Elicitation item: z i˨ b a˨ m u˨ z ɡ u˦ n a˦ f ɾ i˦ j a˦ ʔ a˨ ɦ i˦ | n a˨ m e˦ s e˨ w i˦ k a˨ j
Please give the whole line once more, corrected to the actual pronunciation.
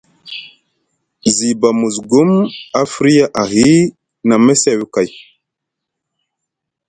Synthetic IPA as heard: z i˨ b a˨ m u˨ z ɡ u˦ m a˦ f ɾ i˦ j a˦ ʔ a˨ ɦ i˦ | n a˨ m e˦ s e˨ w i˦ k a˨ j